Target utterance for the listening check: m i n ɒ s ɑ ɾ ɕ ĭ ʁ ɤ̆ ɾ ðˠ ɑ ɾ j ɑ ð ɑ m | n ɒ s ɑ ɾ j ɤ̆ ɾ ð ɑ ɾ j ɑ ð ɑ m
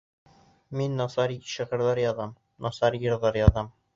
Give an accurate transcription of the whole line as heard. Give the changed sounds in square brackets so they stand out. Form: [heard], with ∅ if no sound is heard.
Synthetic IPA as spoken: m i [nː] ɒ s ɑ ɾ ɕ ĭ ʁ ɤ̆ ɾ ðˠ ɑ ɾ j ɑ ð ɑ m | n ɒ s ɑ ɾ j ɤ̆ ɾ ð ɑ ɾ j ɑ ð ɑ m